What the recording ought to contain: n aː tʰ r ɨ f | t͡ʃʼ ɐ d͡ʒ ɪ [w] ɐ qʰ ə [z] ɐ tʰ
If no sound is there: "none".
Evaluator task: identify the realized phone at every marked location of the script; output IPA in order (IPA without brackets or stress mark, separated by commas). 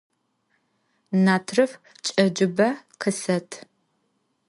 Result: b, s